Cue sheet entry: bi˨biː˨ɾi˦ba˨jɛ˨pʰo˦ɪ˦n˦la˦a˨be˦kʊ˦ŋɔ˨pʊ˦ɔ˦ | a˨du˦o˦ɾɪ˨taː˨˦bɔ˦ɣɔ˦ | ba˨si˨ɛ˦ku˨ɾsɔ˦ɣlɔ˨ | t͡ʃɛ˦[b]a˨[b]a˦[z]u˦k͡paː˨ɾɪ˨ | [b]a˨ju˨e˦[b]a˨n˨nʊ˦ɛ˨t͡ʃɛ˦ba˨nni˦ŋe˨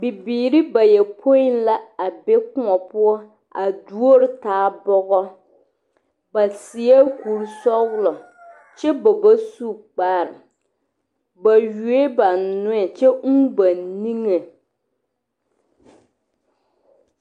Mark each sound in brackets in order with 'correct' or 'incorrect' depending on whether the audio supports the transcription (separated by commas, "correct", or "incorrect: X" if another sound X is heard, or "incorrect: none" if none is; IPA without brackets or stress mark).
correct, correct, incorrect: s, correct, correct